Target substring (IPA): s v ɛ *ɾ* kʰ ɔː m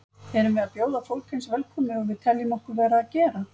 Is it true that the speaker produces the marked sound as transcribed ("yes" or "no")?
no